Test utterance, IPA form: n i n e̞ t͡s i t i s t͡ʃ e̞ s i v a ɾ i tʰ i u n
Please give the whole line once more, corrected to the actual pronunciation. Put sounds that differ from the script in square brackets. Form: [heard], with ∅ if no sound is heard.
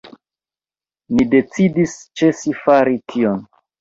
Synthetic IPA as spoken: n i [d] e̞ t͡s i [d] i s t͡ʃ e̞ s i [f] a ɾ i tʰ i [o] n